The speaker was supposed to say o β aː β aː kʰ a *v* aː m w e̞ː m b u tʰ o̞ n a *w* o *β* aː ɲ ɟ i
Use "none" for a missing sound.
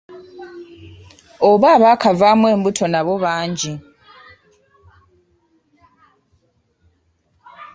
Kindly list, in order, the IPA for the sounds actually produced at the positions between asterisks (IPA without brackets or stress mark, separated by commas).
v, β, β